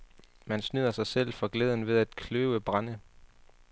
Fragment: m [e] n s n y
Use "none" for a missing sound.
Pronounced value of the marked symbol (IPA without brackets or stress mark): æ